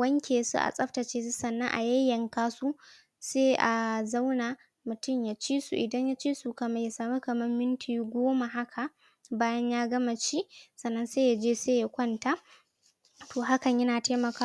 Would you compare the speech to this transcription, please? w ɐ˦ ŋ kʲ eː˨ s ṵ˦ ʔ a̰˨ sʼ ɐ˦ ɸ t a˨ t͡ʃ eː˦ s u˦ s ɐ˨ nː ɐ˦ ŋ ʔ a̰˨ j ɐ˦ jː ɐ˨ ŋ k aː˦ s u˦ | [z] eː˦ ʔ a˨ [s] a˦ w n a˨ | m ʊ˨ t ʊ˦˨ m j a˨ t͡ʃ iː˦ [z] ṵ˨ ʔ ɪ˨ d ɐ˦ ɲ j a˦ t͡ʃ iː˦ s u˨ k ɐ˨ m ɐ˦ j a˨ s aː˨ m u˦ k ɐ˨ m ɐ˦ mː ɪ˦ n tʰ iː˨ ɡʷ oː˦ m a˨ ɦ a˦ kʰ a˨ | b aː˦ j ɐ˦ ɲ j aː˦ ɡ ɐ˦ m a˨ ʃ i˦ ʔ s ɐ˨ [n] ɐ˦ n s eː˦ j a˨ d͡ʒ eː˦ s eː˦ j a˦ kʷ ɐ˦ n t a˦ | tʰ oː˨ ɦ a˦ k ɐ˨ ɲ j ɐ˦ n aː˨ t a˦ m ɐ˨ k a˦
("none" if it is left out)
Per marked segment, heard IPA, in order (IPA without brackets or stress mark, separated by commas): s, z, s, nː